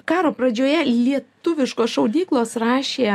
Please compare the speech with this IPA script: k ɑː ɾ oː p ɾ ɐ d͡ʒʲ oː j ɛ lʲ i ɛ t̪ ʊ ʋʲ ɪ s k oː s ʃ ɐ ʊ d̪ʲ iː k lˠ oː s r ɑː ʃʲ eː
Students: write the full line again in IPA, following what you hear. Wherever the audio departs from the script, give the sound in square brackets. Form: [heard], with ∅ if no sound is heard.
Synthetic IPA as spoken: k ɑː ɾ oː p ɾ ɐ d͡ʒʲ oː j ɛ lʲ i ɛ t̪ ʊ ʋʲ ɪ [ʃ] k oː s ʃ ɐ ʊ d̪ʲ iː k lˠ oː s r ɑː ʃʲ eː